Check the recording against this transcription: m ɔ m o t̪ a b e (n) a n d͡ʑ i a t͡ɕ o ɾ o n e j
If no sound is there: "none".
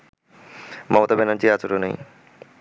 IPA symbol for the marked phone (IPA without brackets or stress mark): n